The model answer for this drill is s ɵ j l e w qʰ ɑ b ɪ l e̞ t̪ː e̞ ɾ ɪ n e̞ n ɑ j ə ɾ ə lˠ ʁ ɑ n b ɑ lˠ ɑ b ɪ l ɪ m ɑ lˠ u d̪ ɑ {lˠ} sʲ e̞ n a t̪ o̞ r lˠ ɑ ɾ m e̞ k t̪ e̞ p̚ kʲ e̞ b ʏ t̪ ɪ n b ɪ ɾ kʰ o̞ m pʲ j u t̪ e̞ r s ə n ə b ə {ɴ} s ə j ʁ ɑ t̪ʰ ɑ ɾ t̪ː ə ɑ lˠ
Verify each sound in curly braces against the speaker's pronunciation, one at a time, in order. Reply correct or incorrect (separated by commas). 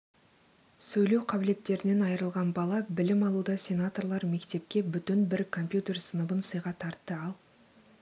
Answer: incorrect, incorrect